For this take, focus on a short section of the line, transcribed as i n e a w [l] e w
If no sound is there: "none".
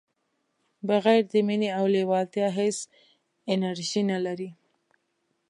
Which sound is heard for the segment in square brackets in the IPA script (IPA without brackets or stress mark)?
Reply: l